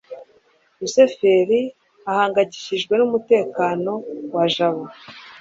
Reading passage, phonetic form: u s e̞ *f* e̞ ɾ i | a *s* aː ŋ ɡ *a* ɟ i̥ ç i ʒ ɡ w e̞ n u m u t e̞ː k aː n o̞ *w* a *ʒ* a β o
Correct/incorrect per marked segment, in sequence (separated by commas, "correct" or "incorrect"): correct, incorrect, correct, correct, correct